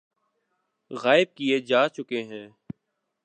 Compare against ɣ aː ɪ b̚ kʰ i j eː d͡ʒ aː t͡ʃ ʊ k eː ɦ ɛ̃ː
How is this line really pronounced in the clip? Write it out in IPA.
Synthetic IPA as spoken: ɣ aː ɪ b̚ k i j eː d͡ʒ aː t͡ʃ ʊ k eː ɦ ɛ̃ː